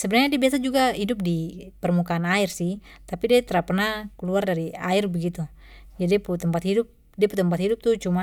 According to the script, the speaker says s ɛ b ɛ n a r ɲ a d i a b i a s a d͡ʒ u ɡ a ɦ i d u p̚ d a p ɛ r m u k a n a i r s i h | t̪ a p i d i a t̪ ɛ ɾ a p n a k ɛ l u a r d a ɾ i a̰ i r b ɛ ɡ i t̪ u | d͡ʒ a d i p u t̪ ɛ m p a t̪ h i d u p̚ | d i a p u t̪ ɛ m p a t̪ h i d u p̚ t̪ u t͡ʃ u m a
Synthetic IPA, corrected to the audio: s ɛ b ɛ n a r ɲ a d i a b i a s a d͡ʒ u ɡ a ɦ i d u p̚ d i p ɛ r m u k a n a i r s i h | t̪ a p i d i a t̪ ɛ ɾ a p n a k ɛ l u a r d a ɾ i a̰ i r b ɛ ɡ i t̪ u | d͡ʒ a d i p u t̪ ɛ m p a t̪ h i d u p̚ | d i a p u t̪ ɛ m p a t̪ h i d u p̚ t̪ u t͡ʃ u m a